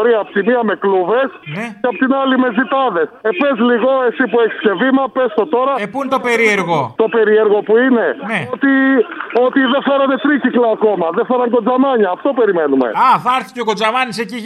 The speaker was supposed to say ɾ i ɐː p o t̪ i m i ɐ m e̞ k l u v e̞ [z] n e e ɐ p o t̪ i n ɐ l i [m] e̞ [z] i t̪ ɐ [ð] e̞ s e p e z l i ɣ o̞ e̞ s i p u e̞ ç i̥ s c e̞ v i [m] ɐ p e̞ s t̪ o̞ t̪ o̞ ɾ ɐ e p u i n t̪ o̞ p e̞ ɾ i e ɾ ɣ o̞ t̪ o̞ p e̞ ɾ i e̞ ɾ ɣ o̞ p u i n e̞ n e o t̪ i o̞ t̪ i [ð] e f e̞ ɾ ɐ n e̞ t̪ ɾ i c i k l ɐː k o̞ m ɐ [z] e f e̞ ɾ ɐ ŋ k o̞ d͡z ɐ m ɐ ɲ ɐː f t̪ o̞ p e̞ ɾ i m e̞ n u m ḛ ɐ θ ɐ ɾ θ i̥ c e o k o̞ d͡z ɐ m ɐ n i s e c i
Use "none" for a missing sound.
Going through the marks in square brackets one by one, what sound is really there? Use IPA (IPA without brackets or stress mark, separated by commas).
s, m, z, ð, m, ð, ð